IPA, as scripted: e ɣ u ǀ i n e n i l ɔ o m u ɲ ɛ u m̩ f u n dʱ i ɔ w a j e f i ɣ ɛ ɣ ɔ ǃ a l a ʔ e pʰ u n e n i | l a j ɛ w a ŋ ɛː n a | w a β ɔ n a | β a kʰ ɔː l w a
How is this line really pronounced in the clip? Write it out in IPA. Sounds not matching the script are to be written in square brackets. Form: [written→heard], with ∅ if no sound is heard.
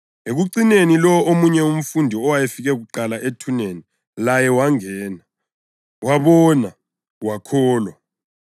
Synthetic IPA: e ɣ u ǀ i n e n i l ɔ o m u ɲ ɛ u m̩ f u n dʱ i ɔ w a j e f i ɣ ɛ ɣ [ɔ→u] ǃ a l a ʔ e [pʰ→tʰ] u n e n i | l a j ɛ w a ŋ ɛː n a | w a β ɔ n a | [β→w] a kʰ ɔː l w a